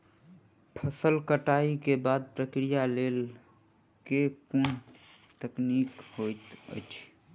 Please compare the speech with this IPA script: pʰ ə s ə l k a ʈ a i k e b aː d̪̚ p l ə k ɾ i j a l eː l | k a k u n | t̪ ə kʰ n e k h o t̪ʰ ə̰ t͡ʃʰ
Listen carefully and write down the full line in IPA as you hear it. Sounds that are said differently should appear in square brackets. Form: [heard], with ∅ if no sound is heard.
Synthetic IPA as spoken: pʰ ə s ə l k [ə] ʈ a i k e b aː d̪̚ p [ɾ] ə k ɾ i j a l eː l | k [e] k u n | t̪ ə [k] n [i] k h o [t̪] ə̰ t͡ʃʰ